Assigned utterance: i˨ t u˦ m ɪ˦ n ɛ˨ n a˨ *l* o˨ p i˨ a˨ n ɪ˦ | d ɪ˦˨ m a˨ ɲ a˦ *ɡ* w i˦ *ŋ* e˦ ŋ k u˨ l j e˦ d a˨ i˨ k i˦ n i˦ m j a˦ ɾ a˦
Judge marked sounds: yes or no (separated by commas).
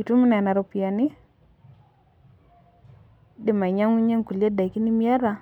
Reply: no, no, no